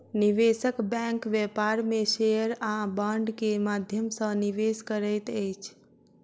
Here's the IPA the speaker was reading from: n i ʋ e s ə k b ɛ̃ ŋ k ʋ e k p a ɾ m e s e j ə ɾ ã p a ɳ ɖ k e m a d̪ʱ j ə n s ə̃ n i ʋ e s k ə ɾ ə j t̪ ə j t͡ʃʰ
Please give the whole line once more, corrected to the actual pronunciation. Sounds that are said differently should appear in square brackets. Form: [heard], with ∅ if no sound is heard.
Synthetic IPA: n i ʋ e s ə k b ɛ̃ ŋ k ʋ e [∅] p a ɾ m e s e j ə ɾ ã [b] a ɳ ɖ k e m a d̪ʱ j ə [m] s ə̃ n i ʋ e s k ə ɾ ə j t̪ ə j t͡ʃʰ